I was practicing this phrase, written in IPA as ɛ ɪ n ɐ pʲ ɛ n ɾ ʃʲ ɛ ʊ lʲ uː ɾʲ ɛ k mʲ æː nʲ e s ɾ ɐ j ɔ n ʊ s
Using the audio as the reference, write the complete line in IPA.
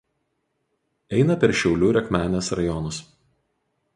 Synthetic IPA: ɛ ɪ n ɐ pʲ ɛ ɾ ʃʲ ɛ ʊ lʲ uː ɾʲ ɛ k mʲ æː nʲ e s ɾ ɐ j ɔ n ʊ s

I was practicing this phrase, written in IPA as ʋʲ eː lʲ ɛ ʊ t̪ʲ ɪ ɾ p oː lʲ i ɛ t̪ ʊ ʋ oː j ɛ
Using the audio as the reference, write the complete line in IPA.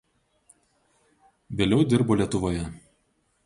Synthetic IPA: ʋʲ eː lʲ ɛ ʊ d̪ʲ ɪ ɾ b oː lʲ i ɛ t̪ ʊ ʋ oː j ɛ

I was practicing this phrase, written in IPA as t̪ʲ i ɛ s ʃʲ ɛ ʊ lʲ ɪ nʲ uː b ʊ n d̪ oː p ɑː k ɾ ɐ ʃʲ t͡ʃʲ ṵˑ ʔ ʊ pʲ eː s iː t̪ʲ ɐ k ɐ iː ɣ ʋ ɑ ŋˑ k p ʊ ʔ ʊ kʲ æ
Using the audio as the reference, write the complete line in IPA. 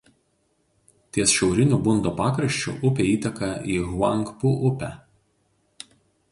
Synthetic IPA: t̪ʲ i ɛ s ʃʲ ɛ ʊ ɾʲ ɪ nʲ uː b ʊ n d̪ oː p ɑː k ɾ ɐ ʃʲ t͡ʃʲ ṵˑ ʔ ʊ pʲ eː iː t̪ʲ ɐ k ɐ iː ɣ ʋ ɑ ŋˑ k p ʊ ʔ ʊ pʲ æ

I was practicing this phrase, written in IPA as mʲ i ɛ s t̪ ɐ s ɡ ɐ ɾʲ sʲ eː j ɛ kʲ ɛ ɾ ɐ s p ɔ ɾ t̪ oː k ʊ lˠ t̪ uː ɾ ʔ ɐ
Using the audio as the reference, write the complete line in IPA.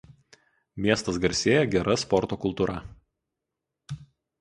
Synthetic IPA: mʲ i ɛ s t̪ ɐ s ɡ ɐ ɾʲ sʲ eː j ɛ ɡʲ ɛ ɾ ɐ s p ɔ ɾ t̪ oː k ʊ lˠ t̪ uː ɾ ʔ ɐ

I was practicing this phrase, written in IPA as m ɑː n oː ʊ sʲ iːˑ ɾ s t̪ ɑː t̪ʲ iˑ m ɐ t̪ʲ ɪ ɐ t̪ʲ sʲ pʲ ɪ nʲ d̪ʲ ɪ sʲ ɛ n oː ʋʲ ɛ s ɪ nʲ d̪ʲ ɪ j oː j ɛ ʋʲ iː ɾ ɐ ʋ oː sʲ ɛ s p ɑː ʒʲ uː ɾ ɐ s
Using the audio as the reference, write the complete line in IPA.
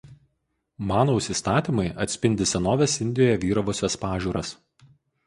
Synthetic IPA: m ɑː n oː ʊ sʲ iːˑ s t̪ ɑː t̪ʲ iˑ m ɐ ɪ ɐ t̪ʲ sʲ pʲ ɪ nʲ d̪ʲ ɪ sʲ ɛ n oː ʋʲ ɛ s ɪ nʲ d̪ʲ ɪ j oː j ɛ ʋʲ iː ɾ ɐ ʋ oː sʲ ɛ s p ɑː ʒʲ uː ɾ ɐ s

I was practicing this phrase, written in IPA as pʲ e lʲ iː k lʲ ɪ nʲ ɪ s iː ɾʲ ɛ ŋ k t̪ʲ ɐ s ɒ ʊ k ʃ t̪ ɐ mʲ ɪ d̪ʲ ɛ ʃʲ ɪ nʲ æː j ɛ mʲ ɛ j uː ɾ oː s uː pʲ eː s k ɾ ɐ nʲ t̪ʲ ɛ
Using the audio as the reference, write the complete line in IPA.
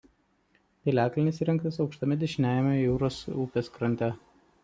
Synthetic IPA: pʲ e lʲ æː k lʲ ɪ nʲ ɪ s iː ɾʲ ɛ ŋ k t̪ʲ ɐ s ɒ ʊ k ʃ t̪ ɐ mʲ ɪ d̪ʲ ɛ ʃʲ ɪ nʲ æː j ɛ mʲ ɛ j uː ɾ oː s uː pʲ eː s k ɾ ɐ nʲ t̪ʲ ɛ

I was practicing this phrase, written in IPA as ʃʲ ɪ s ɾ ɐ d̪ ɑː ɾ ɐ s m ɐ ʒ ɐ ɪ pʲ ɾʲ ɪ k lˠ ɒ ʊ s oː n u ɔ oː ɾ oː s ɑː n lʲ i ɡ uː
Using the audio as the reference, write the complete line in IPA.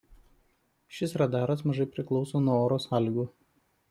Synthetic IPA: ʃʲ ɪ s ɾ ɐ d̪ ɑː ɾ ɐ s m ɐ ʒ ɐ ɪ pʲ ɾʲ ɪ k lˠ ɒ ʊ s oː n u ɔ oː ɾ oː s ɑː lʲ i ɡ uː

